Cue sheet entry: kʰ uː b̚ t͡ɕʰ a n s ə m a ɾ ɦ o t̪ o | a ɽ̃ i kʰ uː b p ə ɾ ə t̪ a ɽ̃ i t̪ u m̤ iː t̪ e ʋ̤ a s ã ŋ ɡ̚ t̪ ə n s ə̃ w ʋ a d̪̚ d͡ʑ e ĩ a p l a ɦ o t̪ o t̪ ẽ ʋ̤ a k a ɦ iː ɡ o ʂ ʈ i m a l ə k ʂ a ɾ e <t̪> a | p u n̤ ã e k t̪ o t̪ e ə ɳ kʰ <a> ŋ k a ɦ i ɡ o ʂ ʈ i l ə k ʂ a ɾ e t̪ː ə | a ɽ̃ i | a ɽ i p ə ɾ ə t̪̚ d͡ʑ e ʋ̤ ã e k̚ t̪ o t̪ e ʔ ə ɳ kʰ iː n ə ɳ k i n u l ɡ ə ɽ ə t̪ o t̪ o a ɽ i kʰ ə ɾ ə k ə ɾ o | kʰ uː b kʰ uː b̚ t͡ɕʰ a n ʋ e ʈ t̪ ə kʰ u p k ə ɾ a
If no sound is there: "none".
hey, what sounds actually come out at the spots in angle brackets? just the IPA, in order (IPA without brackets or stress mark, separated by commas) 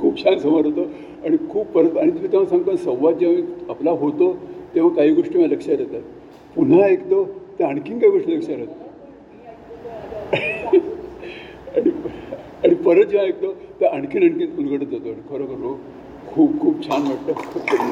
t̪, i